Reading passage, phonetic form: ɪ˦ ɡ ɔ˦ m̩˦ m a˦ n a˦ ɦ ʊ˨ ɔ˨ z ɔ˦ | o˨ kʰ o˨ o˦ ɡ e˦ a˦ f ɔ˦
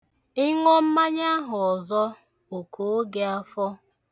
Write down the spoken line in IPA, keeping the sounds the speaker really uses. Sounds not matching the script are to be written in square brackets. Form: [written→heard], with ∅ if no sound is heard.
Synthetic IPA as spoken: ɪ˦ [ɡ→ŋ] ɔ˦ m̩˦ m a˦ [n→ɲ] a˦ ɦ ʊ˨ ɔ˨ z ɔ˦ | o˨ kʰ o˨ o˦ ɡ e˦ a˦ f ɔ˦